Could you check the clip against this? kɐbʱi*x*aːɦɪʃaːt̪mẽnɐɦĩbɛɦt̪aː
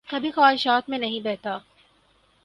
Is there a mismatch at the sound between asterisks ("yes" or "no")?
no